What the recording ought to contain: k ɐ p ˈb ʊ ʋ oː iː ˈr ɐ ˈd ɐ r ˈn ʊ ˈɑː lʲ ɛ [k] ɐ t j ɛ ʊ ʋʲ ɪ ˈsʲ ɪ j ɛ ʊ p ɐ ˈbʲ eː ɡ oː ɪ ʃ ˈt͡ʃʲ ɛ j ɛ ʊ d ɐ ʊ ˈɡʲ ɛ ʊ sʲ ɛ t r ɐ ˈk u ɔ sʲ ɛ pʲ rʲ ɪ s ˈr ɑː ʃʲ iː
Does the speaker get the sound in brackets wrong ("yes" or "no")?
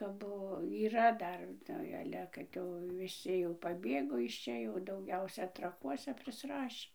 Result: no